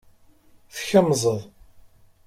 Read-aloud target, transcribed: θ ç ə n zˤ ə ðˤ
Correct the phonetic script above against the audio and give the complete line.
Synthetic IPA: θ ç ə m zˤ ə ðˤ